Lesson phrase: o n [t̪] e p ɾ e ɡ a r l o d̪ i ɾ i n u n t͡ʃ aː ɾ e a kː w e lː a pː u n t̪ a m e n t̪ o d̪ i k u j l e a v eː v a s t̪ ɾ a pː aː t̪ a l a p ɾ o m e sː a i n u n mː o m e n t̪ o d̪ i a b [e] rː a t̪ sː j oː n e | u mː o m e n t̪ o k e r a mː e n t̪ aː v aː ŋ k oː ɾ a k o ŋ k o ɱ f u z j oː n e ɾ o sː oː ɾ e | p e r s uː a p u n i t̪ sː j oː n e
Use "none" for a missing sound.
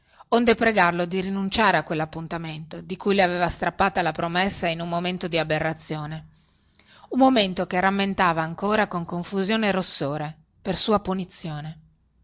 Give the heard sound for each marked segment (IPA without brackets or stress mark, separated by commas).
d̪, e